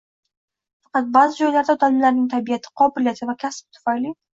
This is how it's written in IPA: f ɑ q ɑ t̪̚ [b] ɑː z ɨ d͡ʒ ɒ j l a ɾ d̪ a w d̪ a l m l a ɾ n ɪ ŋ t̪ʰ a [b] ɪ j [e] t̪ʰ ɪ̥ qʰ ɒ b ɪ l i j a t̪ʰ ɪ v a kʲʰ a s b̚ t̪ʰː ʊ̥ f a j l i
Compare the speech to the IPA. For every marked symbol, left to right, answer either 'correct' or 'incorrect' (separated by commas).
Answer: correct, correct, incorrect